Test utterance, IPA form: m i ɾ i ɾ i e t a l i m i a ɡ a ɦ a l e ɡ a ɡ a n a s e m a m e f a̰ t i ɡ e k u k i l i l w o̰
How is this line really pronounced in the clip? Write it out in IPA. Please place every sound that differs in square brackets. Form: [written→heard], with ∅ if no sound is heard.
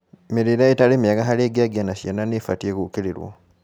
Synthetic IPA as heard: m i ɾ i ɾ [i→a] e t a l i m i a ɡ a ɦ a l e ɡ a ɡ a n a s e [m→n] a [m→n] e f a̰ t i [ɡ→∅] e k u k i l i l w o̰